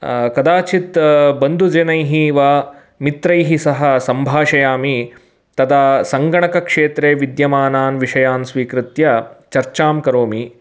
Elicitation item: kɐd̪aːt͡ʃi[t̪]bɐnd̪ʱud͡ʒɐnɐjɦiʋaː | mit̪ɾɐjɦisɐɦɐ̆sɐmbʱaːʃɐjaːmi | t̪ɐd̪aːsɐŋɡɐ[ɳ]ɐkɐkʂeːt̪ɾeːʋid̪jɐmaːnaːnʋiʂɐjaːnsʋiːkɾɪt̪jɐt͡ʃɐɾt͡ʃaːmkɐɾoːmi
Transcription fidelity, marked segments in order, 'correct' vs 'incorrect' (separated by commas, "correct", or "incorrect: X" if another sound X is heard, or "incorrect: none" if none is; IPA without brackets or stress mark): correct, correct